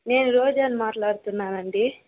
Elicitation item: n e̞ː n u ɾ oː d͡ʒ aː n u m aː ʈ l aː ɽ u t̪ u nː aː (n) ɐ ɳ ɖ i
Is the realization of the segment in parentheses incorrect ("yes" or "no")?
no